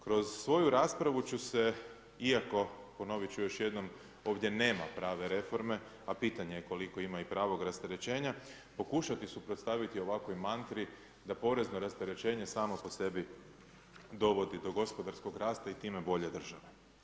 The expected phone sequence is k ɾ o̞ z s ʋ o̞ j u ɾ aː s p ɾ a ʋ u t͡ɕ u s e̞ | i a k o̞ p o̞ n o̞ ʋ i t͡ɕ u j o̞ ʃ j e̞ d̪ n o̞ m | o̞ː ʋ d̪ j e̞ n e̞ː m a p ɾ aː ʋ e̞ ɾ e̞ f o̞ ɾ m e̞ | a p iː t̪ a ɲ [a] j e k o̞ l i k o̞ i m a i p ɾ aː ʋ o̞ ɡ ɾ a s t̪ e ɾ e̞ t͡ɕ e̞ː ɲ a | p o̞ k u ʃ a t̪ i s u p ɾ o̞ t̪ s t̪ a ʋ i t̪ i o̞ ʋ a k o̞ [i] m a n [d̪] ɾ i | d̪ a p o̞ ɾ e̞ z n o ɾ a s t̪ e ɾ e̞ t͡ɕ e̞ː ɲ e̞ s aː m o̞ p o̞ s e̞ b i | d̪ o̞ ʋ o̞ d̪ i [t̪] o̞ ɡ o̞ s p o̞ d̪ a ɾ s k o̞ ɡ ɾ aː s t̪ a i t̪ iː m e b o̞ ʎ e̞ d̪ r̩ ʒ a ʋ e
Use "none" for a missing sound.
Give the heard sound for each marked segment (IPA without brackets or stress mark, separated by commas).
e, j, t̪, d̪